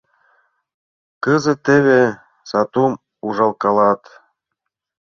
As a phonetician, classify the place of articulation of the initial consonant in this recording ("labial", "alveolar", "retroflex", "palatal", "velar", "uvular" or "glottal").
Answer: velar